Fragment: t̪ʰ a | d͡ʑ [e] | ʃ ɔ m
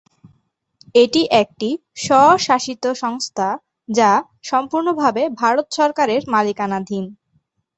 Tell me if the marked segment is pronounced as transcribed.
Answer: no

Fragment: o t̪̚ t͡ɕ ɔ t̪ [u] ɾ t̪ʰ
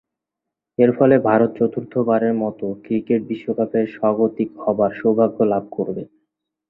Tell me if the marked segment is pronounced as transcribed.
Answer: yes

